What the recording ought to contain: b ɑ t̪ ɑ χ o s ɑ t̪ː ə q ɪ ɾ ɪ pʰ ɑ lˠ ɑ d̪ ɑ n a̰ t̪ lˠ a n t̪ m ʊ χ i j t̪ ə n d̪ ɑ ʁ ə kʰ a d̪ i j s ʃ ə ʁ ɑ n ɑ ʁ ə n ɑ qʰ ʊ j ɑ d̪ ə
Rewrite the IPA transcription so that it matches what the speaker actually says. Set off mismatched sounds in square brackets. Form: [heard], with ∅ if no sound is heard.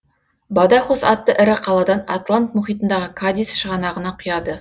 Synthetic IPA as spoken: b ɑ [d̪] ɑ χ o s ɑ t̪ː ə [ʔ] ɪ ɾ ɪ [qʰ] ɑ lˠ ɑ d̪ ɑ n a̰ t̪ lˠ a n t̪ m ʊ χ i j t̪ ə n d̪ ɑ ʁ ə kʰ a d̪ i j s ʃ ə ʁ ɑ n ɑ ʁ ə n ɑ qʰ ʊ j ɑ d̪ ə

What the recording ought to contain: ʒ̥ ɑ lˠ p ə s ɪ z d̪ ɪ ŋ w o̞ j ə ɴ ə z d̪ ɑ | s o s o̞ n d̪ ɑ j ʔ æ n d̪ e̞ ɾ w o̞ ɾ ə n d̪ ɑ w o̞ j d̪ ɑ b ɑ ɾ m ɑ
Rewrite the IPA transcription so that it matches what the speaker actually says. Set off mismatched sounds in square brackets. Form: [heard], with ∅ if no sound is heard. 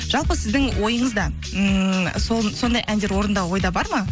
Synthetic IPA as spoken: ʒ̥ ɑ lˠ p ə s ɪ z d̪ ɪ ŋ w o̞ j ə ɴ ə z d̪ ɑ | s o s o̞ n d̪ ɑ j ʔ æ n d̪ e̞ ɾ w o̞ ɾ ə n d̪ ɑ w o̞ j d̪ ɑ b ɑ ɾ m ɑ

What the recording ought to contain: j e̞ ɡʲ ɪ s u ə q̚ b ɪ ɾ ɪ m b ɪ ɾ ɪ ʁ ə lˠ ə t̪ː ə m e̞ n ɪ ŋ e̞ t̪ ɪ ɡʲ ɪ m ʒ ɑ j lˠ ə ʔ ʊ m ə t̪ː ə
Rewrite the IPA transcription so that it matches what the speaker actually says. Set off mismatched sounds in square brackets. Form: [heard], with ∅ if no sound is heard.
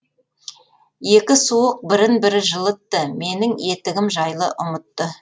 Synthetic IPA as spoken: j e̞ [kʲ] ɪ s u ə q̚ b ɪ ɾ ɪ [n] b ɪ ɾ ɪ [ʒ] ə lˠ ə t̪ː ə m e̞ n ɪ ŋ e̞ t̪ ɪ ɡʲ ɪ m ʒ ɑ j lˠ ə ʔ ʊ m ə t̪ː ə

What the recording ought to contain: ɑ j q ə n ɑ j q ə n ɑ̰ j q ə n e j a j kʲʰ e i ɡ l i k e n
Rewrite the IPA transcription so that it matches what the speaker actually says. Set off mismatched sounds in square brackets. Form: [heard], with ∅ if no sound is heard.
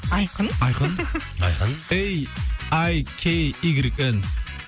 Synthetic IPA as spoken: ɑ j q ə n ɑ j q ə n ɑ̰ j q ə n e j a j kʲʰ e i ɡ [ɾ] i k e n

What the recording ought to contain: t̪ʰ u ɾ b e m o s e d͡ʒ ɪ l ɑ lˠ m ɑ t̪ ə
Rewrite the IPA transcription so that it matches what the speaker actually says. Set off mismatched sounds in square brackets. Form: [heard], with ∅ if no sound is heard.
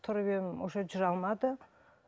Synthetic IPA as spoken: t̪ʰ [ʊ] ɾ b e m o [ʃ] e d͡ʒ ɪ [ɾ] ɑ lˠ m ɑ [d̪] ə

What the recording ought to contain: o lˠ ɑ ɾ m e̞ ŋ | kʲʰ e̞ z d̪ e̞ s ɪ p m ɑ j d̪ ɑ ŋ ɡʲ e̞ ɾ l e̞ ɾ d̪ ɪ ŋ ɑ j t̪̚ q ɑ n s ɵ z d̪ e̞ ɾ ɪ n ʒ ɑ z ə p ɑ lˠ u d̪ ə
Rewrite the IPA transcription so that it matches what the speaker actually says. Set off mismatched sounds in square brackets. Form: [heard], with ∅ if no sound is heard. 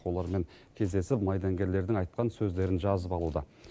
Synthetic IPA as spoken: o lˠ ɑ ɾ m e̞ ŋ | kʲʰ e̞ z d̪ e̞ s ɪ p m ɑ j d̪ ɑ ŋ ɡʲ e̞ ɾ l e̞ ɾ d̪ ɪ ŋ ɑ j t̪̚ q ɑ n s ɵ z d̪ e̞ ɾ ɪ n ʒ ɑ z ə p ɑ lˠ u d̪ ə

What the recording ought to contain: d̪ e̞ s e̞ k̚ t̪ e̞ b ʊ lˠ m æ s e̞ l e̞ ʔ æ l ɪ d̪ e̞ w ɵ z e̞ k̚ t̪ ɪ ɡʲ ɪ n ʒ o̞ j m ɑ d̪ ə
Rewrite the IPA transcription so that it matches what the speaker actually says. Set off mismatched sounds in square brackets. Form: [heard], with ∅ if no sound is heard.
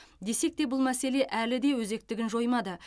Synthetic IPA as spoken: d̪ e̞ s e̞ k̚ t̪ e̞ b ʊ lˠ m æ s e̞ l e̞ ʔ æ l ɪ d̪ e̞ w ɵ z e̞ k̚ t̪ ɪ ɡʲ ɪ n ʒ o̞ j m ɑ d̪ ə

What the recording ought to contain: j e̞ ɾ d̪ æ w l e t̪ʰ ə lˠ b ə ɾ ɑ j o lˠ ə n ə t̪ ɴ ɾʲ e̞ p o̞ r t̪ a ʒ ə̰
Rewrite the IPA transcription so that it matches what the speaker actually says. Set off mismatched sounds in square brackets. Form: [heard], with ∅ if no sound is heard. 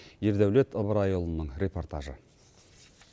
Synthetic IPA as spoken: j e̞ ɾ d̪ æ w l e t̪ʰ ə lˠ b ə ɾ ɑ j o lˠ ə n ə [∅] ɴ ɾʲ e̞ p o̞ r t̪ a ʒ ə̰

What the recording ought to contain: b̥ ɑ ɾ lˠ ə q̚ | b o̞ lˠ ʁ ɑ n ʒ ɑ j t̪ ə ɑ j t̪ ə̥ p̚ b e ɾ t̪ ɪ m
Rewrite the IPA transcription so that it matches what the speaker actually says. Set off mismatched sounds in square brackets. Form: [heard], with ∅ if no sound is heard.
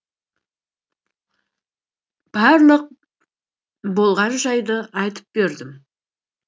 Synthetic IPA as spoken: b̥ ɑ ɾ lˠ ə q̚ | b o̞ lˠ ʁ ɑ n ʒ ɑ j [d̪] ə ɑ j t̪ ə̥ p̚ b e ɾ [d̪] ɪ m

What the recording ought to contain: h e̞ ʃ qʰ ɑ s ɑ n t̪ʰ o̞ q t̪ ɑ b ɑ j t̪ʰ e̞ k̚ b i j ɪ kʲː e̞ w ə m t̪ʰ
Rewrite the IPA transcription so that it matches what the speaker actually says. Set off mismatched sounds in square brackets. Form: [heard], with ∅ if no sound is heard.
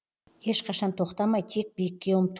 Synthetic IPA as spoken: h e̞ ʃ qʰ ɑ [ʃ] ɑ n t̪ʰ o̞ q t̪ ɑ [m] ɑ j t̪ʰ e̞ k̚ b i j ɪ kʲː e̞ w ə m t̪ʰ

